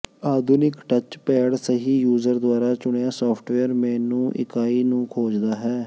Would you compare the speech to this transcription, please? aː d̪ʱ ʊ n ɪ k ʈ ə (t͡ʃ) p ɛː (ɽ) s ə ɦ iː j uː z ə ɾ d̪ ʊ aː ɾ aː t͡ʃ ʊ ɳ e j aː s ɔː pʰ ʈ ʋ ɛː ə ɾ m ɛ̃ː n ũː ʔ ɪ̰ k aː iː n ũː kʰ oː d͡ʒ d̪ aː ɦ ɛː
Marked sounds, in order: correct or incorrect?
correct, correct

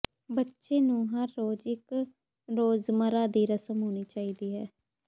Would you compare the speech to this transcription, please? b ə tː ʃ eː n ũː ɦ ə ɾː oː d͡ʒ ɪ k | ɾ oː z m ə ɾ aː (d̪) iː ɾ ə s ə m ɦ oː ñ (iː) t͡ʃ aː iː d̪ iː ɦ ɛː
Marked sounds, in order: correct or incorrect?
correct, correct

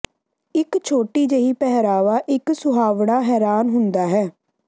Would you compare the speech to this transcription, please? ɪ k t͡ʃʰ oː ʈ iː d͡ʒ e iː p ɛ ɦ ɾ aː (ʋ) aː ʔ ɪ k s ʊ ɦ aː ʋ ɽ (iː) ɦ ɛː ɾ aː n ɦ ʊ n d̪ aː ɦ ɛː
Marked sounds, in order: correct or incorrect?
correct, incorrect: aː

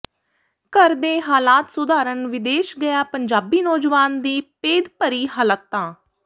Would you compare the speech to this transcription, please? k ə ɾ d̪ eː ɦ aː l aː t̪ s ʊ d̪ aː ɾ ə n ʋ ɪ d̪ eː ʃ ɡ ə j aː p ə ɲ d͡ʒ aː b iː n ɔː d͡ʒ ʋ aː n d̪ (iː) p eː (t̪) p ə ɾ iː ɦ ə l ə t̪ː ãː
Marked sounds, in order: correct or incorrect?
correct, incorrect: d̪

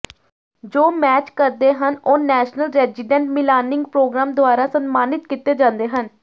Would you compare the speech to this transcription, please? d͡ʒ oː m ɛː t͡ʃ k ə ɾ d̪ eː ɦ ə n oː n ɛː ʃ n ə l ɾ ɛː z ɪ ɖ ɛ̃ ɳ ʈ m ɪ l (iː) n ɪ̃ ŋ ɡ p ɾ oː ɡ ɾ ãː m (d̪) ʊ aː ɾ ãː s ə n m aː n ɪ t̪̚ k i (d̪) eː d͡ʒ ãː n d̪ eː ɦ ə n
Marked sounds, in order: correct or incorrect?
incorrect: aː, correct, incorrect: t̪

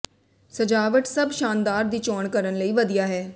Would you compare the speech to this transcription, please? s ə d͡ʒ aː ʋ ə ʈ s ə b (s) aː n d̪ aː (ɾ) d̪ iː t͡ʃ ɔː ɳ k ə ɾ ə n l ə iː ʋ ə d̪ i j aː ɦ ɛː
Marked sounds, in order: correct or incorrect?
incorrect: ʃ, correct

